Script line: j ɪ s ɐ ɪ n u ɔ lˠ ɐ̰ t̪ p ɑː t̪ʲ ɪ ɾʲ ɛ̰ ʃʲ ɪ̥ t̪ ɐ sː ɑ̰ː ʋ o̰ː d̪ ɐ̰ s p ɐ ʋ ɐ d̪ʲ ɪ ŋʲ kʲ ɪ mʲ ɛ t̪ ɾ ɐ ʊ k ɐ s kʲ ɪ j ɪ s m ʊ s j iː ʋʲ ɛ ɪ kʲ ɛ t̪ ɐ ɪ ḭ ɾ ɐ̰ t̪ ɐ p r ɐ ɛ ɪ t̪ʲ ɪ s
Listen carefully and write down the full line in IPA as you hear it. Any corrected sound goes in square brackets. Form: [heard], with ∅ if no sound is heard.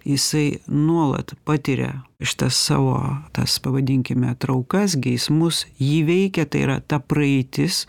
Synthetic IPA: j ɪ s ɐ ɪ n u ɔ lˠ ɐ̰ t̪ p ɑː t̪ʲ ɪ ɾʲ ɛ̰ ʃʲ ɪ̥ t̪ ɐ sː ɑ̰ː ʋ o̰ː [t̪] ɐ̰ s p ɐ ʋ ɐ d̪ʲ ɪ ŋʲ kʲ ɪ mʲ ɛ t̪ ɾ ɐ ʊ k ɐ s [ɡʲ] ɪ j ɪ s m ʊ s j iː ʋʲ ɛ ɪ kʲ ɛ t̪ ɐ ɪ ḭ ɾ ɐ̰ t̪ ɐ p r ɐ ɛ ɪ t̪ʲ ɪ s